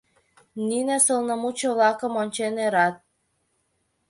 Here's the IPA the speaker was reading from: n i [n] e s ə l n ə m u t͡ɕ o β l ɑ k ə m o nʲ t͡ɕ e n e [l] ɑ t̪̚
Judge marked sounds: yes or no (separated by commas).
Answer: yes, no